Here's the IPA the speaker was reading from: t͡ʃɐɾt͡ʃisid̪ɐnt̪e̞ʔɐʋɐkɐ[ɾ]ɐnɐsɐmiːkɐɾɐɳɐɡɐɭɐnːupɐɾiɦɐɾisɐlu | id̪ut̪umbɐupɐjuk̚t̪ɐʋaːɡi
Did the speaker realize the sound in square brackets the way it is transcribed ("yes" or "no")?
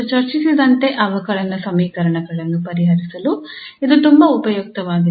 no